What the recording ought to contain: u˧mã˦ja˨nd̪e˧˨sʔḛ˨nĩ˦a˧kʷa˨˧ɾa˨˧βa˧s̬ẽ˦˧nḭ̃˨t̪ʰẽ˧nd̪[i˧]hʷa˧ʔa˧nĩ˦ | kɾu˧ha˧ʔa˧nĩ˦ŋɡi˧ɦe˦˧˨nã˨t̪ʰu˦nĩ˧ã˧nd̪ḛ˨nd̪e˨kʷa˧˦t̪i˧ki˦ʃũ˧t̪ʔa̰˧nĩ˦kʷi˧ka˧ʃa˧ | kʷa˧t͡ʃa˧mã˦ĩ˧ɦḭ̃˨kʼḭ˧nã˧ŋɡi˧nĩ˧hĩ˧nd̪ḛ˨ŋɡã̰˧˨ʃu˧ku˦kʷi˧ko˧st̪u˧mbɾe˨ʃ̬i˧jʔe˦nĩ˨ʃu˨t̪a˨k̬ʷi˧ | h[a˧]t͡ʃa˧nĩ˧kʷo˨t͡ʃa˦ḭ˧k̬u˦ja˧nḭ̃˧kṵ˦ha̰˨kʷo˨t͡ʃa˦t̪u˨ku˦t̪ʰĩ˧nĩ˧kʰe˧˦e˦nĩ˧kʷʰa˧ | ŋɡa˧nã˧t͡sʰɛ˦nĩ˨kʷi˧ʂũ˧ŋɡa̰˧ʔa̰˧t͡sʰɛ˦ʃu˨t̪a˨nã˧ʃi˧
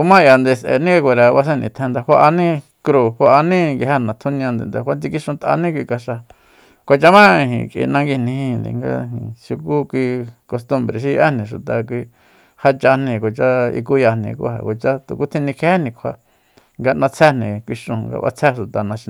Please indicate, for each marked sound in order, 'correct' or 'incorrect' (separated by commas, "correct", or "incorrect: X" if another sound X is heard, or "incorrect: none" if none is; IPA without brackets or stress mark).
incorrect: a˧, correct